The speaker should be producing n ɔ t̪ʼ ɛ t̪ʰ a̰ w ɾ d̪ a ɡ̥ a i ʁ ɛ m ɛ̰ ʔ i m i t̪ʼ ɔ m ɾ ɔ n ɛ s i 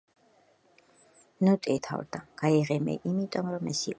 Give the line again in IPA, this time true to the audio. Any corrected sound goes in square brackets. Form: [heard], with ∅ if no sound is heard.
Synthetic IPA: n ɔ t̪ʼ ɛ t̪ʰ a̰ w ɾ d̪ a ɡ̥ a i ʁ ɛ m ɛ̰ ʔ i m i t̪ʼ ɔ m ɾ ɔ [m] ɛ s i